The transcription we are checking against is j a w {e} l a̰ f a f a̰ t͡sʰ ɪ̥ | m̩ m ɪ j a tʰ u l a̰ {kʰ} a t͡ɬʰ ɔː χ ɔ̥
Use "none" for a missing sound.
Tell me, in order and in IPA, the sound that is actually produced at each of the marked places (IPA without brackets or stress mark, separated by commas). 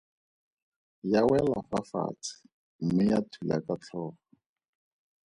ɛ, k